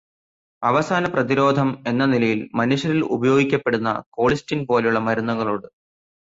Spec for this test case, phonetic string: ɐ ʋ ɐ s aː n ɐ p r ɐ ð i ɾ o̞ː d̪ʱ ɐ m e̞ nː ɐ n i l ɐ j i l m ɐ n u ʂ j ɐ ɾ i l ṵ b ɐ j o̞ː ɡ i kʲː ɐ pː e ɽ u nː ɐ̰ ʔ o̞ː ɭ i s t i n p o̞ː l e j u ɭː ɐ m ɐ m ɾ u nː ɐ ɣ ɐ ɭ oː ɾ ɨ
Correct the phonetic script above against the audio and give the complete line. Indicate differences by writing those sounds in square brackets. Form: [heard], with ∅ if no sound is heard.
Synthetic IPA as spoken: ɐ ʋ ɐ s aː n ɐ p r ɐ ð i ɾ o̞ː d̪ʱ ɐ m e̞ nː ɐ n i l ɐ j i l m ɐ n u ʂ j ɐ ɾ i l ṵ b ɐ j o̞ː ɡ i kʲː ɐ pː e ɽ u nː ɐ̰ [k] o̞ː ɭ i s t i n p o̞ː l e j u ɭː ɐ m ɐ [∅] ɾ u nː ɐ ɣ ɐ ɭ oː [ɽ] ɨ